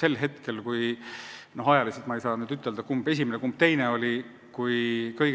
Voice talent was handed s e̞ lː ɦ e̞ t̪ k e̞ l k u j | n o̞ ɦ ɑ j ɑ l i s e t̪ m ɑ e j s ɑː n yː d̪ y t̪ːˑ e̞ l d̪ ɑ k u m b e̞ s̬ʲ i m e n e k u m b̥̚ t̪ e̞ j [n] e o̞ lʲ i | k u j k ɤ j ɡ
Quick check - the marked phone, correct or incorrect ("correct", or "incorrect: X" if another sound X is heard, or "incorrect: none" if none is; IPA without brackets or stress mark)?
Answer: correct